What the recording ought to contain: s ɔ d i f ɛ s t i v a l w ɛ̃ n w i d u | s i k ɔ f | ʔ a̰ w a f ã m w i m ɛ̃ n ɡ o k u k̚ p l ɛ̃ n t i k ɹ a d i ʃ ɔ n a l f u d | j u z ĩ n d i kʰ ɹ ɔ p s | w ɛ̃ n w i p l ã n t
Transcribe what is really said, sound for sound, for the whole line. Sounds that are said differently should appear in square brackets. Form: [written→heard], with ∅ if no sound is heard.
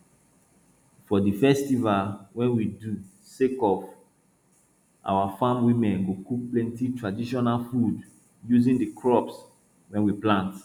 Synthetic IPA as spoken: [s→f] ɔ d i f ɛ s t i v a l w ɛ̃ n w i d u | s [i→e] k ɔ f | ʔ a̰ w a f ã m w i m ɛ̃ n ɡ o k u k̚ p l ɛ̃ n t i [k→t] ɹ a d i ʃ ɔ n a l f u d | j u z ĩ n d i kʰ ɹ ɔ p s | w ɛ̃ n w i p l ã n t